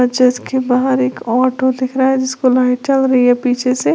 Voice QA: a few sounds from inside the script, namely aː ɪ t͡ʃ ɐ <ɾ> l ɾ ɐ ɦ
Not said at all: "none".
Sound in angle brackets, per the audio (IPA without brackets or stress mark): none